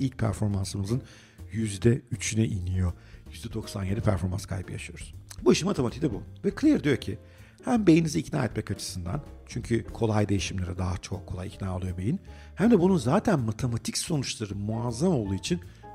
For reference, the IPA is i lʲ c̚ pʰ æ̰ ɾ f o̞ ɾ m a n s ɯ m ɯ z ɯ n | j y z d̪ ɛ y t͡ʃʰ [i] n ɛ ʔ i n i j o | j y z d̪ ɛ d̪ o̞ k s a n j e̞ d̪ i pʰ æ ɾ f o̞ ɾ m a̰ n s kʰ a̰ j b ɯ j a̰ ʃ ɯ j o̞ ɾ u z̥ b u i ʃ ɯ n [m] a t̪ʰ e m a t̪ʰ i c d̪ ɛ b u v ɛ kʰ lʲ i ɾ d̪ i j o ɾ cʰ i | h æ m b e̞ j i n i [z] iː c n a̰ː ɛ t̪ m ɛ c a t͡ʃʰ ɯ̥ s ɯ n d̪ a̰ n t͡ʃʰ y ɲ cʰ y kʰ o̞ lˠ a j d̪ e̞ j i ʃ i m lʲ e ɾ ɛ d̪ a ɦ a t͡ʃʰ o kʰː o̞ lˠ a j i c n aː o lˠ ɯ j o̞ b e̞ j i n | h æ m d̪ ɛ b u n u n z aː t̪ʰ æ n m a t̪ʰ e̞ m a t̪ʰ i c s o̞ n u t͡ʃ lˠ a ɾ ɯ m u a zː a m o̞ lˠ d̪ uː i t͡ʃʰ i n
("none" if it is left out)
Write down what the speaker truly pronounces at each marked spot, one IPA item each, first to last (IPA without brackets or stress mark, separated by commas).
y, m, z